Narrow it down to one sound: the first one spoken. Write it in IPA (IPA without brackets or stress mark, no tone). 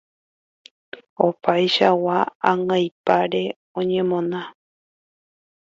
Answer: o̞